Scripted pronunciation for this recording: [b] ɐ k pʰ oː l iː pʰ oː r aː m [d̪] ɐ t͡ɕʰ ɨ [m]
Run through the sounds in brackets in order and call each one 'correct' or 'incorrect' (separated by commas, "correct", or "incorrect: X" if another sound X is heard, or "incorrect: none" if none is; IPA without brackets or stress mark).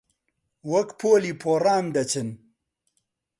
incorrect: w, correct, incorrect: n